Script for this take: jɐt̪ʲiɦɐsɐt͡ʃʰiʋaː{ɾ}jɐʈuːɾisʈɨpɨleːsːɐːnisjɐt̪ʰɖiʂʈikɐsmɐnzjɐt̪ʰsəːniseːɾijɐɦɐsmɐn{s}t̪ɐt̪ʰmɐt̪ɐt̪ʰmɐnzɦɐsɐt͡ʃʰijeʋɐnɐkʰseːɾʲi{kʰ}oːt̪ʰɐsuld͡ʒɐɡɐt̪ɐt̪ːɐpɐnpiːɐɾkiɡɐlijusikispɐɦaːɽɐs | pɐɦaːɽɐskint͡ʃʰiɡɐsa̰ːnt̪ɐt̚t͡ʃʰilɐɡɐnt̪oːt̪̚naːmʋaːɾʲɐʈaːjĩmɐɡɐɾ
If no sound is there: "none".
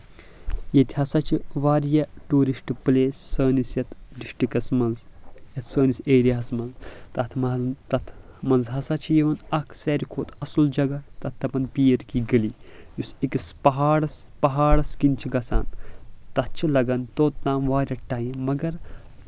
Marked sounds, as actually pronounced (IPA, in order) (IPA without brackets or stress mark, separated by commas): ɾ, z, kʰ